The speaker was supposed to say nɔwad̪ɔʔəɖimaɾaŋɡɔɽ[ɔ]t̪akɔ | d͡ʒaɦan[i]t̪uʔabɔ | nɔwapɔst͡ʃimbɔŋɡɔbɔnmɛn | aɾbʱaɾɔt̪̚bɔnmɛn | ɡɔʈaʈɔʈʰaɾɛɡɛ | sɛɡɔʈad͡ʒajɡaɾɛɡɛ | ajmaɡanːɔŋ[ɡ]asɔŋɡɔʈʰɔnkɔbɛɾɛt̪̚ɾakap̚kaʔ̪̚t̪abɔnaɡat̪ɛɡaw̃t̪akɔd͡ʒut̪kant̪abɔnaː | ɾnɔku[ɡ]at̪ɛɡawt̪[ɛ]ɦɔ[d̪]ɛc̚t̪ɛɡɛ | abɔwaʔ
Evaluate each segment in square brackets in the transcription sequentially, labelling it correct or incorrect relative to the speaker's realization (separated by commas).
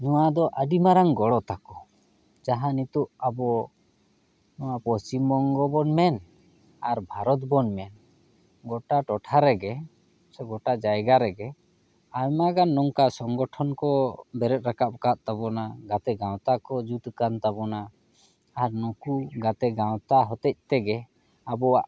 correct, correct, incorrect, correct, incorrect, incorrect